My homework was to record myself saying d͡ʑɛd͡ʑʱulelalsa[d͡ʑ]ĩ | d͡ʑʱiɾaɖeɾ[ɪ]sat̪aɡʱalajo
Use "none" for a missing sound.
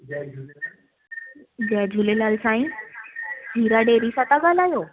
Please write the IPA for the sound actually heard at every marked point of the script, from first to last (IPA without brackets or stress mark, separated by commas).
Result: none, i